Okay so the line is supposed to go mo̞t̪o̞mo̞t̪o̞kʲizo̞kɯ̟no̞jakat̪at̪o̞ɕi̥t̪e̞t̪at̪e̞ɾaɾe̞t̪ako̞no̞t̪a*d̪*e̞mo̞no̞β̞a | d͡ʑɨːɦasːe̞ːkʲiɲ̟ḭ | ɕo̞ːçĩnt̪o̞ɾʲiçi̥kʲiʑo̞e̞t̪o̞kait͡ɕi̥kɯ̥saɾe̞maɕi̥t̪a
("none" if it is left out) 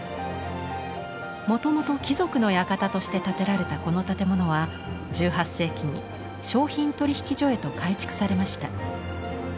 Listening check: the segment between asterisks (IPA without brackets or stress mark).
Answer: t̪